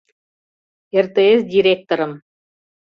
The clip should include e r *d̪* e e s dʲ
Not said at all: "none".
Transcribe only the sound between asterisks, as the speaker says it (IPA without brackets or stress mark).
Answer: t̪